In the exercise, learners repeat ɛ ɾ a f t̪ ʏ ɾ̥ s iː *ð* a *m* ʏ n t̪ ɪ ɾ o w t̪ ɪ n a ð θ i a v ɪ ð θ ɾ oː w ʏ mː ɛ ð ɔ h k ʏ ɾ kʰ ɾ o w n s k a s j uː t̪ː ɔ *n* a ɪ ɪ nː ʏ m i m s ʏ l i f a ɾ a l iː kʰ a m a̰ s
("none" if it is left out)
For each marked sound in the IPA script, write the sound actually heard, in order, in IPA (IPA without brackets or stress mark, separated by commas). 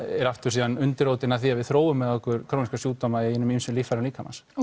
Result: ð, n, m